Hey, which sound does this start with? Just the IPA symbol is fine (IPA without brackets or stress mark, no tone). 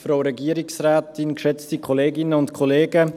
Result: f